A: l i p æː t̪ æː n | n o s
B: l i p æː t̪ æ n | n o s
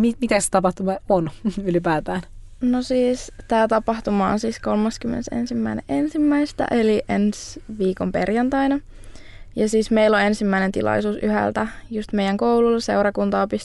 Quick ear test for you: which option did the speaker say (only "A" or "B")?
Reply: A